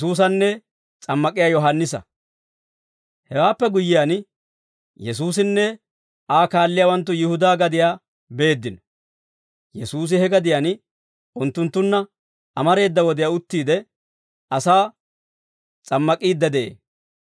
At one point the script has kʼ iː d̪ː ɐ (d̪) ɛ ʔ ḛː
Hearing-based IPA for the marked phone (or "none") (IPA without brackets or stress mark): d̪